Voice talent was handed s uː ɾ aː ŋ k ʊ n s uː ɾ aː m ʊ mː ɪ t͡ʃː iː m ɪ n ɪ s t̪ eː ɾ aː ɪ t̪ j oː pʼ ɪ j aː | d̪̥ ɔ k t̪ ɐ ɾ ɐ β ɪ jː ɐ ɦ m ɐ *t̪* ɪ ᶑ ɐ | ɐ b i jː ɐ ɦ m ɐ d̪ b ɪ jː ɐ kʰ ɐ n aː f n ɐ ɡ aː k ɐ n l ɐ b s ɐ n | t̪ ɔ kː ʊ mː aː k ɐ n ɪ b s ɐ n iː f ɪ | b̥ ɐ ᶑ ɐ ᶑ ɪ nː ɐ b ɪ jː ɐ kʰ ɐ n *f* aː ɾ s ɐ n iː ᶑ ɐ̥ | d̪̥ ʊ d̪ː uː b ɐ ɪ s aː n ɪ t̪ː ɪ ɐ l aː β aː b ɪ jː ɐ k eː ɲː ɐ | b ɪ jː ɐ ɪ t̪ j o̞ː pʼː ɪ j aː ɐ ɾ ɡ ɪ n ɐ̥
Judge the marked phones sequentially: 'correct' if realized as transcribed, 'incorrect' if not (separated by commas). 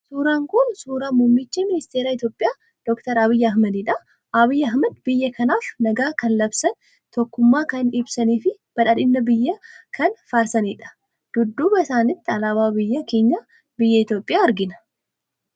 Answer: incorrect, correct